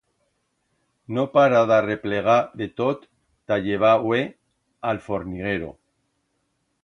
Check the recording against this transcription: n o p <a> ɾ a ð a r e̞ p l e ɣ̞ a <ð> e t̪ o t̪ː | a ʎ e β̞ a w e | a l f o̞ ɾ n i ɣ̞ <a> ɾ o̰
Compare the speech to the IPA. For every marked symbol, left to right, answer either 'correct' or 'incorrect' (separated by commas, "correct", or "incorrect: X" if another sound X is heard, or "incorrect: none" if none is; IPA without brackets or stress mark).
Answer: correct, correct, incorrect: e